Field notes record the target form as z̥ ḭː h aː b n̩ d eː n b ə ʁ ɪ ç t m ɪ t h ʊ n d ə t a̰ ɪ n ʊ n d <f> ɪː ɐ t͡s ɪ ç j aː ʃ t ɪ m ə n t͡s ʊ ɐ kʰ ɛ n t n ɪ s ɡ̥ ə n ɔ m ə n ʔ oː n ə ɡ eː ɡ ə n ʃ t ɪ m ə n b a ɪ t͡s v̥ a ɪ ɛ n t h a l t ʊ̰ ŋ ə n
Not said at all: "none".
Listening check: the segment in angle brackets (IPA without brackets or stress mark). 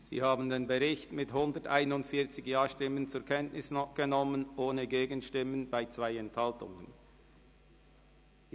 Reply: f